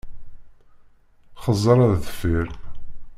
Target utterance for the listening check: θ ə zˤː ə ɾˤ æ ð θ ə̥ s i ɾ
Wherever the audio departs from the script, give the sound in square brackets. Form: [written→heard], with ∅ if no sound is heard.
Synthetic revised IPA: [θ→χ] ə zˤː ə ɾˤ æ ð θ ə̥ [s→f] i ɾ